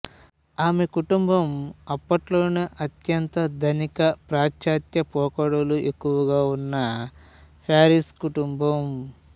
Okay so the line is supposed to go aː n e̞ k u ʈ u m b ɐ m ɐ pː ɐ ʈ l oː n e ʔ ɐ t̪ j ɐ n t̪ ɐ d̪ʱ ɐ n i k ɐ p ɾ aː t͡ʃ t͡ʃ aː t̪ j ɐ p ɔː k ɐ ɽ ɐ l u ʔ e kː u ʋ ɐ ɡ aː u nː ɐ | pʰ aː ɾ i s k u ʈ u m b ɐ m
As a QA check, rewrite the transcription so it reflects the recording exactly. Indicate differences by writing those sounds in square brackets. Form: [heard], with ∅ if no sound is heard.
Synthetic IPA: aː [m] e̞ k u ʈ u m b ɐ m ɐ pː ɐ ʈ l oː n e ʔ ɐ t̪ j ɐ n t̪ ɐ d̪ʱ ɐ n i k ɐ p ɾ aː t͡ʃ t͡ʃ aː t̪ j ɐ p ɔː k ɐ ɽ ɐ l u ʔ e kː u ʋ ɐ ɡ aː u nː ɐ | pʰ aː ɾ i s k u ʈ u m b ɐ m